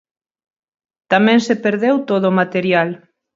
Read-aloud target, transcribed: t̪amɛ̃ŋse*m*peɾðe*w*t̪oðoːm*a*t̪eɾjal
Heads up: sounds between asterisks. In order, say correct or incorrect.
incorrect, correct, correct

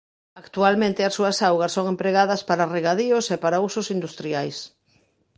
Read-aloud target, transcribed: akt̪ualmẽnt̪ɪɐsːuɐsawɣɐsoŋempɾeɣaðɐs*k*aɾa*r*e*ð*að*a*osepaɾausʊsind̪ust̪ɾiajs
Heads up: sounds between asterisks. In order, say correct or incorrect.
incorrect, correct, incorrect, incorrect

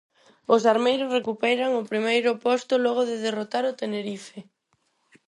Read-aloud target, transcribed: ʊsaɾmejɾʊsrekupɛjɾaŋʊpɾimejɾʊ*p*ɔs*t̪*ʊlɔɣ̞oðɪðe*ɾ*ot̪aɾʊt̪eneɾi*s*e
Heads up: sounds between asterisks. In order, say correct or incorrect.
correct, correct, incorrect, incorrect

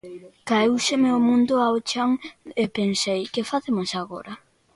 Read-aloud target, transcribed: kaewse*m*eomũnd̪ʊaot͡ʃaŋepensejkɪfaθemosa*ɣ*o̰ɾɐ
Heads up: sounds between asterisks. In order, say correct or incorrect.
correct, correct

